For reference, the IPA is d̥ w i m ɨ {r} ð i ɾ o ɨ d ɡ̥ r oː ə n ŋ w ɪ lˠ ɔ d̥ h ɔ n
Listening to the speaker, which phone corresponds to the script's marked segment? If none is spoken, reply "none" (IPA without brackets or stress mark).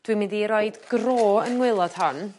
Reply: none